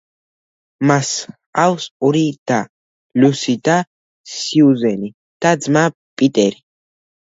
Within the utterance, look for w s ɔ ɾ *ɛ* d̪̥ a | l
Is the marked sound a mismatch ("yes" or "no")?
yes